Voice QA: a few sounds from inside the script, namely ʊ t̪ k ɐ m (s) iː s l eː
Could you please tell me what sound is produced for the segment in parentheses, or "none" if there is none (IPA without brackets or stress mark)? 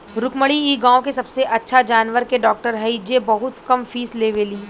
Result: f